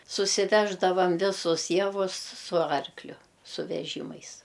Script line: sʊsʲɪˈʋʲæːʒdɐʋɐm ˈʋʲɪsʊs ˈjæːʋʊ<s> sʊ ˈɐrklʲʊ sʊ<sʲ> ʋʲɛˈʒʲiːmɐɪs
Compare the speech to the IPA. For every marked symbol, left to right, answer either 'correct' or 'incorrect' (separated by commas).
correct, incorrect